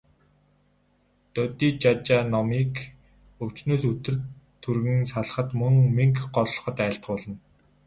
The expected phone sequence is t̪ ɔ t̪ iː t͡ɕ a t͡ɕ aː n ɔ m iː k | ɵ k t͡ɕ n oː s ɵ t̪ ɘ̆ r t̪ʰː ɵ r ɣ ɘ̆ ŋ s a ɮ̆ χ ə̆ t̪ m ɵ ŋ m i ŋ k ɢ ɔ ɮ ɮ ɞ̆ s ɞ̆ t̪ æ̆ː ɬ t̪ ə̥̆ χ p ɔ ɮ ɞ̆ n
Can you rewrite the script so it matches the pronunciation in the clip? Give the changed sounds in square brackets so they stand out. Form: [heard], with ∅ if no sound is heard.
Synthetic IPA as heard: t̪ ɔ t̪ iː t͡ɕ a t͡ɕ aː n ɔ m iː k | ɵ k t͡ɕ n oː s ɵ t̪ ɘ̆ r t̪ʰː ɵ r ɣ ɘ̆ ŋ s a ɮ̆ χ ə̆ t̪ m ɵ ŋ m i ŋ k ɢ ɔ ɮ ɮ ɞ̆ [χ] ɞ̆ t̪ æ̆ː ɬ t̪ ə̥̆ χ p ɔ ɮ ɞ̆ n